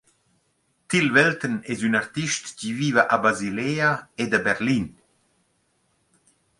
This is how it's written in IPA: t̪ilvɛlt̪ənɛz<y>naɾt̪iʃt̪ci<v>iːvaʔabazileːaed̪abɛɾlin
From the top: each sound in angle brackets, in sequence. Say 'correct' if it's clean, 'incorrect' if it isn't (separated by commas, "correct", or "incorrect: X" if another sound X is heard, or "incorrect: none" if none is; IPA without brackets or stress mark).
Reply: correct, correct